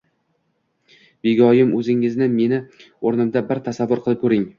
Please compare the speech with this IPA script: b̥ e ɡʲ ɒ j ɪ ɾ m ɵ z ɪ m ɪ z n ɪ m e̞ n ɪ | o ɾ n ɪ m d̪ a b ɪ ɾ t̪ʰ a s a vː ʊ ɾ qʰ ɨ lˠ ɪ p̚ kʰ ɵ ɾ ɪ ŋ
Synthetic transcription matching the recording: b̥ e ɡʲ ɒ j ɪ m ɵ z ɪ ŋ ɪ z n ɪ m e̞ n ɪ | o ɾ n ɪ m d̪ a b ɪ ɾ t̪ʰ a s a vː ʊ ɾ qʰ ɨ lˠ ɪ p̚ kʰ ɵ ɾ ɪ ŋ